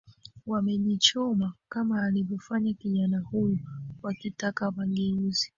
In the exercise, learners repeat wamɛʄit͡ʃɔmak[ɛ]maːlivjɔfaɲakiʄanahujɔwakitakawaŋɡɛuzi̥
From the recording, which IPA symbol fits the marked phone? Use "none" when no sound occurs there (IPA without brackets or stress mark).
a